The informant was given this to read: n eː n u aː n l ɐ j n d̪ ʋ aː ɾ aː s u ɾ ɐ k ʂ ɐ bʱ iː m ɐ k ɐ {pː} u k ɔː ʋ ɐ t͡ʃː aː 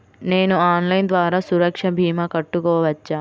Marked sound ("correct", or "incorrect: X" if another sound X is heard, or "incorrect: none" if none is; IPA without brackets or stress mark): incorrect: ʈː